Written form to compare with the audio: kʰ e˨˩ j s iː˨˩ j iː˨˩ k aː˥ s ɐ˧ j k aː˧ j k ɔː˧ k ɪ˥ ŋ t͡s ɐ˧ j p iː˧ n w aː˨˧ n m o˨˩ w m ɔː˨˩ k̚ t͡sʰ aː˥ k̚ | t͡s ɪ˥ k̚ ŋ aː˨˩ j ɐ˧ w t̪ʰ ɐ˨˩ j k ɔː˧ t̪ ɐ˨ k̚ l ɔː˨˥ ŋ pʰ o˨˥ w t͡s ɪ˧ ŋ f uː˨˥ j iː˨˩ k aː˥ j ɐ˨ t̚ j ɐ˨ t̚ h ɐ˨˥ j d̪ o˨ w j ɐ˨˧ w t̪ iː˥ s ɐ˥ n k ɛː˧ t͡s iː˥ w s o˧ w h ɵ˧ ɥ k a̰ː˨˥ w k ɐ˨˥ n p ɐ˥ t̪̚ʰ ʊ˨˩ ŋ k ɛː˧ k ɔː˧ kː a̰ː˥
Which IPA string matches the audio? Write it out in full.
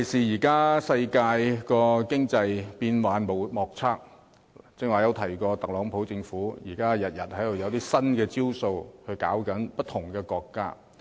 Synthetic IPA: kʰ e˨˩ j s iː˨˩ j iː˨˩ k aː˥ s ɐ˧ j k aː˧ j k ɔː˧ k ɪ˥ ŋ t͡s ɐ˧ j p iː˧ n w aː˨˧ n m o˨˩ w m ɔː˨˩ k̚ t͡sʰ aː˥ k̚ | t͡s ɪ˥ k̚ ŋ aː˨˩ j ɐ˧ w t̪ʰ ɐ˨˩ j k ɔː˧ t̪ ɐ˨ k̚ l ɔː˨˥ ŋ pʰ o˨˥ w t͡s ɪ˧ ŋ f uː˨˥ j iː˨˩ k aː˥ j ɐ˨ t̚ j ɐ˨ t̚ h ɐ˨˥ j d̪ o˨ w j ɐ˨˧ w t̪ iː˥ s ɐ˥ n k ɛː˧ t͡s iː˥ w s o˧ w h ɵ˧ ɥ k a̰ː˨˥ w k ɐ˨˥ n p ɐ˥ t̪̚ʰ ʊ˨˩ ŋ k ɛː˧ k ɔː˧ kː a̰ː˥

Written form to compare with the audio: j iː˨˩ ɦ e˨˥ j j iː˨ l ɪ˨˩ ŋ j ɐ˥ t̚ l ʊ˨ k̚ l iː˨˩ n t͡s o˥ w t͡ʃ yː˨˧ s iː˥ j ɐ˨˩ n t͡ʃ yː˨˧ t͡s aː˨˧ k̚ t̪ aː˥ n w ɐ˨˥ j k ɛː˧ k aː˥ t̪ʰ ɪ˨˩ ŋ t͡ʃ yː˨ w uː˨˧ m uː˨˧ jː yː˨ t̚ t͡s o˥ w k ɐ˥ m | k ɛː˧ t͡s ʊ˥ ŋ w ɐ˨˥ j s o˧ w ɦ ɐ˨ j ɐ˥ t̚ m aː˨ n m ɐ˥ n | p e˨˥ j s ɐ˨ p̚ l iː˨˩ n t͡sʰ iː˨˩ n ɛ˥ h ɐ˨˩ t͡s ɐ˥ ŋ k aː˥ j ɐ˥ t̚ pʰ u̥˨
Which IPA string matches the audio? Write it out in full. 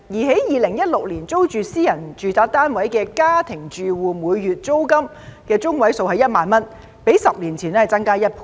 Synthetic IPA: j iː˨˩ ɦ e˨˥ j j iː˨ l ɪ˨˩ ŋ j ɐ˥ t̚ l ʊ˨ k̚ l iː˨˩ n t͡s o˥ w t͡ʃ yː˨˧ s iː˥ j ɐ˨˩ n t͡ʃ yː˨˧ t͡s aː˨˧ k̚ t̪ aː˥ n w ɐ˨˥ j k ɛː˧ k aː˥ t̪ʰ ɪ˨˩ ŋ t͡ʃ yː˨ w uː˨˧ m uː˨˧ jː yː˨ t̚ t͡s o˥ w k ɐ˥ m | k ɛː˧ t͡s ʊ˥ ŋ w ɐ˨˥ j s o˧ w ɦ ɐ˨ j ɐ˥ t̚ m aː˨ n m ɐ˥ n | p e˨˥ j s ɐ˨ p̚ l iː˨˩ n t͡sʰ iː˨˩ n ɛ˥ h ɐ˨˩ t͡s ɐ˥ ŋ k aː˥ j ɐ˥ t̚ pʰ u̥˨

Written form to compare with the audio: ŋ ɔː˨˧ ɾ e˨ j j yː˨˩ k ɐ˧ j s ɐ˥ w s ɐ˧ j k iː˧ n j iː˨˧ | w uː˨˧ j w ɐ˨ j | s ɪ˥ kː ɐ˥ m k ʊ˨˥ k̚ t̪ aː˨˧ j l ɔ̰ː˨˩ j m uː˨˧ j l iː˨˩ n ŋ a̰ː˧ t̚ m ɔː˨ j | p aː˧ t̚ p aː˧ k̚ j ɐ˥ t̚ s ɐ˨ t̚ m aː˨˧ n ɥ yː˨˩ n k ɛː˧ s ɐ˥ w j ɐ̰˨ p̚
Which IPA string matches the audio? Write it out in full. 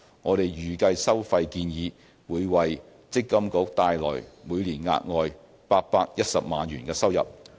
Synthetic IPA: ŋ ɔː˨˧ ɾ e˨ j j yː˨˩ k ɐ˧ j s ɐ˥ w f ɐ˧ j k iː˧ n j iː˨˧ | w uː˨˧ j w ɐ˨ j | t͡s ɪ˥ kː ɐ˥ m k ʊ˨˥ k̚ t̪ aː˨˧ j l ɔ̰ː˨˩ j m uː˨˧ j l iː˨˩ n ŋ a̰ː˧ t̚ ŋ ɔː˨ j | p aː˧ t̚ p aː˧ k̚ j ɐ˥ t̚ s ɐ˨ p̚ m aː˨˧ n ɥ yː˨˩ n k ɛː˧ s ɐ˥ w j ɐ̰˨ p̚

